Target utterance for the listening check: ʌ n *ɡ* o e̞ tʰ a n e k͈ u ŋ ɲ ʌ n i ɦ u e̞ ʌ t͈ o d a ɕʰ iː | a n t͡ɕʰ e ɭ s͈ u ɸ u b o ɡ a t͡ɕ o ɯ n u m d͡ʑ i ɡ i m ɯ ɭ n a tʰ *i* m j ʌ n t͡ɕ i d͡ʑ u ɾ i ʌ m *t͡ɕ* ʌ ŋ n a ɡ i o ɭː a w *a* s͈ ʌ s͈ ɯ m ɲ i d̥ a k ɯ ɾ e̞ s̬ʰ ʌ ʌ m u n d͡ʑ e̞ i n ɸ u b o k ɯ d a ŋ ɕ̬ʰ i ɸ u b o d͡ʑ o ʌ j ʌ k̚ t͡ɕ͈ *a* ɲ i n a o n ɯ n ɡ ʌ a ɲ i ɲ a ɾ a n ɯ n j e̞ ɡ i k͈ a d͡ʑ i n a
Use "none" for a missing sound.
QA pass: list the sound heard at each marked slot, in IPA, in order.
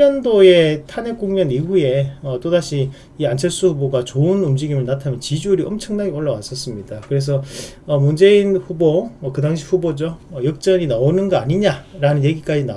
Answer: d, a, t͡ɕʰ, a, ʌ

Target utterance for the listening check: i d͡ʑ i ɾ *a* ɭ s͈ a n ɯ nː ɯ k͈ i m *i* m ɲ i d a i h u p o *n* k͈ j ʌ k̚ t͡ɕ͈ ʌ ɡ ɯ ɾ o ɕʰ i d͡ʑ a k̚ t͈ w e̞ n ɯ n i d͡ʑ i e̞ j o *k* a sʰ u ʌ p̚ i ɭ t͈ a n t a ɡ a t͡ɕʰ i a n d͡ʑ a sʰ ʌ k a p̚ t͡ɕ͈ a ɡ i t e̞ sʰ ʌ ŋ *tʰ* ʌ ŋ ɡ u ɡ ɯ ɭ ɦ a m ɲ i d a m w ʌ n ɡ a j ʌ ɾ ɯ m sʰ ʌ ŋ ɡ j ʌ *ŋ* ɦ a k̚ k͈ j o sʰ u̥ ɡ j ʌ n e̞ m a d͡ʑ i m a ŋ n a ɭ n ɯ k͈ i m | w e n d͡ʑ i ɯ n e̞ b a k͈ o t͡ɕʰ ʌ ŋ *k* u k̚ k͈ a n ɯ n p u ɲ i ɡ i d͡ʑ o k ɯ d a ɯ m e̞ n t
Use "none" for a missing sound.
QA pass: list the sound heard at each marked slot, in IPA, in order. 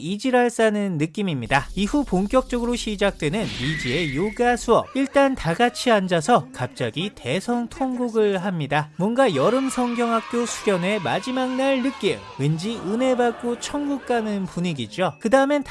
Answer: a, i, ŋ, ɡ, tʰ, ŋ, ɡ

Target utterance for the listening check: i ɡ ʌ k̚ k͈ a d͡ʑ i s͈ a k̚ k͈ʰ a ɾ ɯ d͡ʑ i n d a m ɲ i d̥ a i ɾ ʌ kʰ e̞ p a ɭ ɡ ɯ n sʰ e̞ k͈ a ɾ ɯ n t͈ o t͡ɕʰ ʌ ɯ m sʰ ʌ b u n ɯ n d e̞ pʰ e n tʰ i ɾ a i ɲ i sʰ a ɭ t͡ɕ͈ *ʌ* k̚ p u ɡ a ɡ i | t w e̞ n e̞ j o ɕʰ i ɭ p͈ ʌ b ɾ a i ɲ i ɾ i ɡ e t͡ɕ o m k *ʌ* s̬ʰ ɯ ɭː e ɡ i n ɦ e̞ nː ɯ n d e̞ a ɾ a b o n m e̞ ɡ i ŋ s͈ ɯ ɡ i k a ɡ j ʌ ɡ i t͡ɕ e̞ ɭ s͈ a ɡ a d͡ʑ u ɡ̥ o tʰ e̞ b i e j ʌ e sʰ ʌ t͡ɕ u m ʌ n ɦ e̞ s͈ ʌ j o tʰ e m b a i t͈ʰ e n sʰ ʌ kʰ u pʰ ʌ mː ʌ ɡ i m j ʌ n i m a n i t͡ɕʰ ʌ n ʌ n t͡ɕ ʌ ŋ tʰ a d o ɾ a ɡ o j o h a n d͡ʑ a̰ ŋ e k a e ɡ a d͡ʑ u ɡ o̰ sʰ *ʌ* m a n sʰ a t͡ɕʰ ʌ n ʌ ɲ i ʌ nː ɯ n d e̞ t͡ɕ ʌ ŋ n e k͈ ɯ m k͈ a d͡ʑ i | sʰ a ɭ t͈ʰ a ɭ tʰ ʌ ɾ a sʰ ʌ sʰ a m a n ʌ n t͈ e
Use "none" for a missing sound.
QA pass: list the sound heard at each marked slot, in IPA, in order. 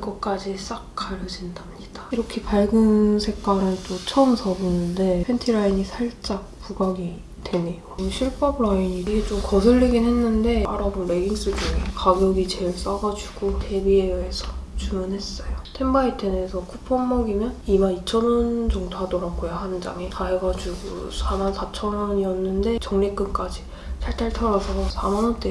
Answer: a, ʌ, a

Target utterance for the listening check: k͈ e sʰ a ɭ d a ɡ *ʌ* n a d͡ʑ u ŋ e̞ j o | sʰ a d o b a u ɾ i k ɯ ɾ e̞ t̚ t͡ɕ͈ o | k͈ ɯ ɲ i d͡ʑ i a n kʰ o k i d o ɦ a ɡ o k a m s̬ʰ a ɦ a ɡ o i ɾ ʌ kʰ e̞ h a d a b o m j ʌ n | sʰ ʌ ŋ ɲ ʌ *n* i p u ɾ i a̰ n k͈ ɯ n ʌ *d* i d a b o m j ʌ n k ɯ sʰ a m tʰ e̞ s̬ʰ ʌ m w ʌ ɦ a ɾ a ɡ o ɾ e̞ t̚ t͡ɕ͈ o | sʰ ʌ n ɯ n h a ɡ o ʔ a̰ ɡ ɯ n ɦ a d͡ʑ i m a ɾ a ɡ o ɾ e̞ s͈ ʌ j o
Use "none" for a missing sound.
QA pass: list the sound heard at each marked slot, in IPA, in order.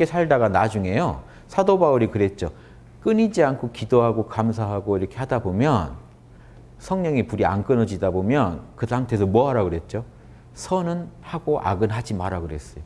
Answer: a, ŋ, d͡ʑ

